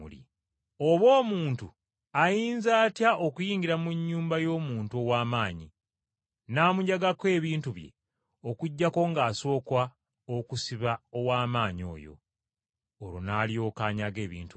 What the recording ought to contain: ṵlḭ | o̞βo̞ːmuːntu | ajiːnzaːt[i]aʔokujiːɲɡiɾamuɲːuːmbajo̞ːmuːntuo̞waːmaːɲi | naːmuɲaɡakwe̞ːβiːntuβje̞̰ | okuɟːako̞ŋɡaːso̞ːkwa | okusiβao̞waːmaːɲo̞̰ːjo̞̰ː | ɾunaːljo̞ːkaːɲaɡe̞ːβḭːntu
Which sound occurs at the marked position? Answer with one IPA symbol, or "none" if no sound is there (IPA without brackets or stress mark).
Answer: j